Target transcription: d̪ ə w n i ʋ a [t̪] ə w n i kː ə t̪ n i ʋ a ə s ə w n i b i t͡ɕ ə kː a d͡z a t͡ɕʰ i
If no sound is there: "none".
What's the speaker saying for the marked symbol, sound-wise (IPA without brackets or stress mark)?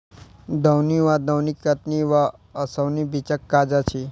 d̪